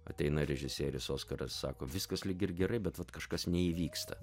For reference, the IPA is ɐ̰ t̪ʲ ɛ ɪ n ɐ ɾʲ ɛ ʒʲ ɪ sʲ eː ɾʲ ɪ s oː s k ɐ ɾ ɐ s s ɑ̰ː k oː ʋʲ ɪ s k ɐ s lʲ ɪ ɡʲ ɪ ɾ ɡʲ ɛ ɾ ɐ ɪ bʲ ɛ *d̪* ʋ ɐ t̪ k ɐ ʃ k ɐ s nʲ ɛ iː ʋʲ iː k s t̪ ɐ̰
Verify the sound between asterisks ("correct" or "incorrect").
incorrect